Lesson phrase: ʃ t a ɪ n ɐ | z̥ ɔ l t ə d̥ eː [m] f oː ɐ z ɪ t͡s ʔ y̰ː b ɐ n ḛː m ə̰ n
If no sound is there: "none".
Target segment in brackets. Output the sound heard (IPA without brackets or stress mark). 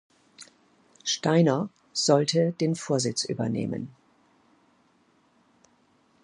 n